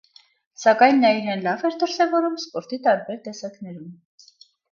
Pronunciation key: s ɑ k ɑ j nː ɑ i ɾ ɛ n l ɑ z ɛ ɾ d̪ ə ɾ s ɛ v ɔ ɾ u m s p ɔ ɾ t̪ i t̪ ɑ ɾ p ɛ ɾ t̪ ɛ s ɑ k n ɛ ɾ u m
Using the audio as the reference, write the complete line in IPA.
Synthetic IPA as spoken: s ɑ k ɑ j nː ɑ i ɾ ɛ n l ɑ v ɛ ɾ d̪ ə ɾ s ɛ v ɔ ɾ u m s p ɔ ɾ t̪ i t̪ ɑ ɾ b ɛ ɾ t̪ ɛ s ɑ k n ɛ ɾ u m